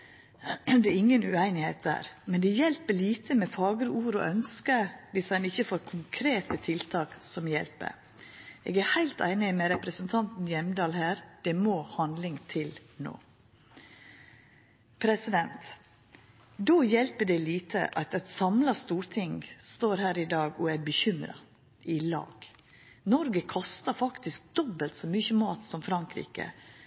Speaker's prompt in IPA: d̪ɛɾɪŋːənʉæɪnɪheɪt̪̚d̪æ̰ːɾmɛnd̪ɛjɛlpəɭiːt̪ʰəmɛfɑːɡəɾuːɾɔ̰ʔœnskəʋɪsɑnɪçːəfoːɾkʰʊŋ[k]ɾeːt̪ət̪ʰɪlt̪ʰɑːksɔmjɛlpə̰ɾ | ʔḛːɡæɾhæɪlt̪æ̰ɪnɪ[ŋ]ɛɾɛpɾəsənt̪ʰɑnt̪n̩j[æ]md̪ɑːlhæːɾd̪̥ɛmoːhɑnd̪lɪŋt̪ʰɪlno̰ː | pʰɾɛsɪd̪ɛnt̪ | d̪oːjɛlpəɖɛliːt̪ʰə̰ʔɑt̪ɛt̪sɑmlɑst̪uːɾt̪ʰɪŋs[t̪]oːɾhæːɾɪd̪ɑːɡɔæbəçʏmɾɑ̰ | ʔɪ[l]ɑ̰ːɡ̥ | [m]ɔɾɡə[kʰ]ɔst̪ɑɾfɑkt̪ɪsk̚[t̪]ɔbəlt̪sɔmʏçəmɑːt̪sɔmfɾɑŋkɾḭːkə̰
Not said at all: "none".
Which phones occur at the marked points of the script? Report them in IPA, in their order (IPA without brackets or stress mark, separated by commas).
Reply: kʰ, m, ɛ, t̪, l, n, kʰ, d̪